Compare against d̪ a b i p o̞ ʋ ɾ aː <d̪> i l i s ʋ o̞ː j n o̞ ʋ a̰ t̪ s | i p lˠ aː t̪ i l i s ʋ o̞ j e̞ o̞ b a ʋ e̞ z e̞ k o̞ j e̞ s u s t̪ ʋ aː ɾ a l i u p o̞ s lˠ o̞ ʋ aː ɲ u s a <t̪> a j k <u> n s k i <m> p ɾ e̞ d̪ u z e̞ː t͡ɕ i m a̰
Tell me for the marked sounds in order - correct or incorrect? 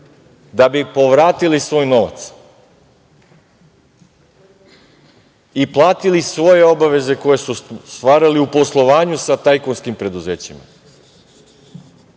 incorrect: t̪, correct, incorrect: o, correct

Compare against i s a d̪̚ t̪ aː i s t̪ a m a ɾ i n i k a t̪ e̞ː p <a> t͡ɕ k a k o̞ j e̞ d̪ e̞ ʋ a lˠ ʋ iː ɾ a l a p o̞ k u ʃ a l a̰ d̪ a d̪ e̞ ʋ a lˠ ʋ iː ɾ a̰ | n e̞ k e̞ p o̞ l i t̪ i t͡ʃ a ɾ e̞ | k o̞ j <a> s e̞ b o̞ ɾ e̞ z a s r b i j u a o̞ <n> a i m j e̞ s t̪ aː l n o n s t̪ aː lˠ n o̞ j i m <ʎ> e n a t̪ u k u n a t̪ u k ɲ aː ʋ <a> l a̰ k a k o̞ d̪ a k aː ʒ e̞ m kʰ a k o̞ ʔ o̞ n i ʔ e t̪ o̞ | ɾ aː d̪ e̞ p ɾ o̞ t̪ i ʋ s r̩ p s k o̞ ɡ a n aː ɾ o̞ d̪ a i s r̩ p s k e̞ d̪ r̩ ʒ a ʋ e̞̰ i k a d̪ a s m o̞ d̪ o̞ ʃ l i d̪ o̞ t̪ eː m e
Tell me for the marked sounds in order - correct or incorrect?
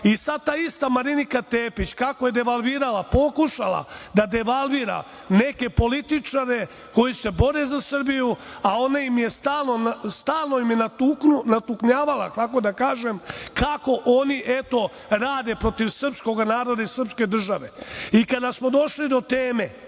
incorrect: i, incorrect: i, correct, incorrect: j, correct

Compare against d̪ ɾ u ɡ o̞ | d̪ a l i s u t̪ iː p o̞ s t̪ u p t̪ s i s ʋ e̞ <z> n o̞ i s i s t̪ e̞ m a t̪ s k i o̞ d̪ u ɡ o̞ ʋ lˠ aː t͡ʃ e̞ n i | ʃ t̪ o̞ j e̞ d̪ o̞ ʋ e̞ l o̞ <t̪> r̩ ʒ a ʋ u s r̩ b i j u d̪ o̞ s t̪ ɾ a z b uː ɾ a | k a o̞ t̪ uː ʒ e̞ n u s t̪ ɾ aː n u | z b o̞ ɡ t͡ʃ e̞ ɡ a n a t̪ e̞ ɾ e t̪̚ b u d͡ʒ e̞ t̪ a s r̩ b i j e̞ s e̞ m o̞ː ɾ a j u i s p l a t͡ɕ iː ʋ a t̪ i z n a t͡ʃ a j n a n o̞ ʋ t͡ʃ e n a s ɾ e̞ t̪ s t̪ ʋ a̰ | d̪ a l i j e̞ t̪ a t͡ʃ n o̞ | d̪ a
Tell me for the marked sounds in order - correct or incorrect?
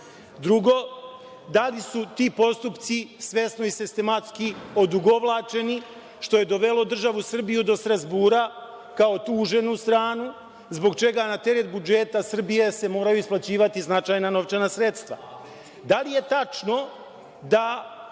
incorrect: s, incorrect: d̪

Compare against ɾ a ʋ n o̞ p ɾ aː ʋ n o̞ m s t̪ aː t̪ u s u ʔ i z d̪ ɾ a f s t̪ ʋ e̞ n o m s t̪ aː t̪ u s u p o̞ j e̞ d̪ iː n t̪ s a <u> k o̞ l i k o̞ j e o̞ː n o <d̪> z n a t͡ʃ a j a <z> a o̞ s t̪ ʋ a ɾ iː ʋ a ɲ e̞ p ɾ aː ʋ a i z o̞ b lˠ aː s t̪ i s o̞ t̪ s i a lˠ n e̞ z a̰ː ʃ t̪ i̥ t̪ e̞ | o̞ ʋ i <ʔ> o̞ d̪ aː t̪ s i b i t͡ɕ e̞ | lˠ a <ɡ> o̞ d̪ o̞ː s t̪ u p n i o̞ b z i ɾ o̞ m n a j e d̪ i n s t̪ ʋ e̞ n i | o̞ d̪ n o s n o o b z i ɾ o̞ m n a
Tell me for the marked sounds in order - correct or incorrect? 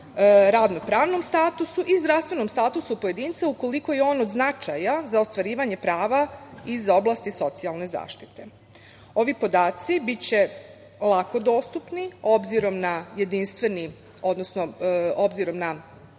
correct, correct, correct, incorrect: p, incorrect: k

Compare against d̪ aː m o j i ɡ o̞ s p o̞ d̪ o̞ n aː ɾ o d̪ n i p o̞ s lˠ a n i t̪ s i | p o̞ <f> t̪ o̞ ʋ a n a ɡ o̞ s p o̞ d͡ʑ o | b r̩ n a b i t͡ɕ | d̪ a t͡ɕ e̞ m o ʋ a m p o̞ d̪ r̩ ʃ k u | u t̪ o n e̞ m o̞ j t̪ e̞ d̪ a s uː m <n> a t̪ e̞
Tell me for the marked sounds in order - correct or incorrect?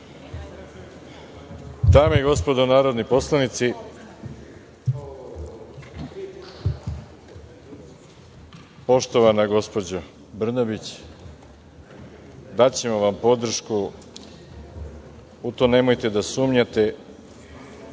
incorrect: ʃ, incorrect: ɲ

